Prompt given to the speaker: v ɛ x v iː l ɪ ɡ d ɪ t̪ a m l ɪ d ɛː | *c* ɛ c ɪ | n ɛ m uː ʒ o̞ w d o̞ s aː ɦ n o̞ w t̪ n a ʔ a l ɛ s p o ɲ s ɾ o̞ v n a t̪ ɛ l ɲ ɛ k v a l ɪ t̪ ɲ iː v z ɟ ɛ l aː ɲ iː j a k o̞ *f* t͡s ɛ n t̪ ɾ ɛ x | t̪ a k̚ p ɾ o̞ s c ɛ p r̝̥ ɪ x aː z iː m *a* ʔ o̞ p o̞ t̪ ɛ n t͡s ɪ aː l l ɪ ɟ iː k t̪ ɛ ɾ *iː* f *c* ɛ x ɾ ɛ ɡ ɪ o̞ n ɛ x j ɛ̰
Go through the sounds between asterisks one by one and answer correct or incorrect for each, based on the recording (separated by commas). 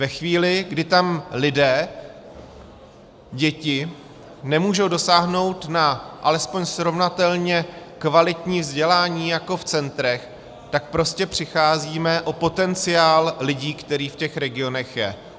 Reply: incorrect, correct, incorrect, correct, correct